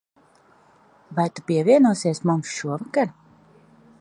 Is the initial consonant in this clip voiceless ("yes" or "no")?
no